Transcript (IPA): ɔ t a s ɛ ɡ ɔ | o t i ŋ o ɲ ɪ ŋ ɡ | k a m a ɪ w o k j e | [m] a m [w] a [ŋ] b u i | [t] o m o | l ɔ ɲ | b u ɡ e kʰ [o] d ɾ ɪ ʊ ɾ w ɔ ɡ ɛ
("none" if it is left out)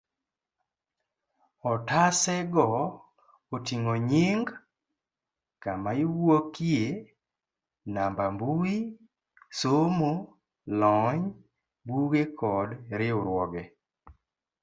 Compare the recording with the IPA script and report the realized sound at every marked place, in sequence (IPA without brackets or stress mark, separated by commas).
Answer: n, b, m, s, ɔ